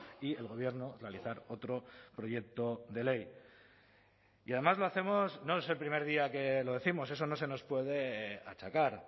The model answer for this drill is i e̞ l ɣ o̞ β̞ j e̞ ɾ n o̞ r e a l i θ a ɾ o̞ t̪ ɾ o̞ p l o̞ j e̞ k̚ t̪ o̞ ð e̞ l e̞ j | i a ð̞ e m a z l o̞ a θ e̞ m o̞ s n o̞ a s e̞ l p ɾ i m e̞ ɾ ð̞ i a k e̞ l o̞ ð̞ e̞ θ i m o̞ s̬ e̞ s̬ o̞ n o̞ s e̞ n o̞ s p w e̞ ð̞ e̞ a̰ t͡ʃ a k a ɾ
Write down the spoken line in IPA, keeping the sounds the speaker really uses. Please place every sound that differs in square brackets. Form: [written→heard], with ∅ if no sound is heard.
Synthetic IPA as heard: i e̞ l ɣ o̞ β̞ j e̞ ɾ n o̞ r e a l i θ a ɾ o̞ t̪ ɾ o̞ p [l→ɾ] o̞ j e̞ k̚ t̪ o̞ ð e̞ l e̞ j | i a ð̞ e m a z l o̞ a θ e̞ m o̞ s n o̞ [a→e] s e̞ l p ɾ i m e̞ ɾ ð̞ i a k e̞ l o̞ ð̞ e̞ θ i m o̞ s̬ e̞ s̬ o̞ n o̞ s e̞ n o̞ s p w e̞ ð̞ e̞ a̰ t͡ʃ a k a ɾ